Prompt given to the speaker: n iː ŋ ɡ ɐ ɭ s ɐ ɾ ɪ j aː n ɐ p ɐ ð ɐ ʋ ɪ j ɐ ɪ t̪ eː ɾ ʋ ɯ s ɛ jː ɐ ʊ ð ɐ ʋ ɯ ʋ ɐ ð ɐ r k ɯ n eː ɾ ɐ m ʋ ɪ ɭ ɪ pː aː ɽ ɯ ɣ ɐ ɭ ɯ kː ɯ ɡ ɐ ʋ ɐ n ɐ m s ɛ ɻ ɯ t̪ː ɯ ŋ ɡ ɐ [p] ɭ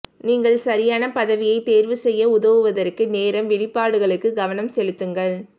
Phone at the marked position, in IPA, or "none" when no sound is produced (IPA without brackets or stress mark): none